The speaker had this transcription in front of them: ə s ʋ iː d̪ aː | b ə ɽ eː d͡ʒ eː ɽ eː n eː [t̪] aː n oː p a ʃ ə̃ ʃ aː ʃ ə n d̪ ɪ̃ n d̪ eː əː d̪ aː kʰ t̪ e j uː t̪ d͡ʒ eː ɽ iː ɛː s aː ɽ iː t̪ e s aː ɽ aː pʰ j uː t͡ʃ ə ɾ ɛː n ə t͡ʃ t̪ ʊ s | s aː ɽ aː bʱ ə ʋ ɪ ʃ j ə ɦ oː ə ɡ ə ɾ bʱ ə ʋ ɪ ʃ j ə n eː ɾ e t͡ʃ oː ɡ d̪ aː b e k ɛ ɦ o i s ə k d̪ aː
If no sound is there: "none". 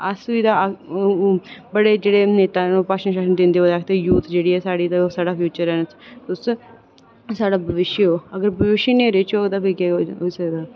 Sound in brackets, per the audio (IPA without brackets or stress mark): t̪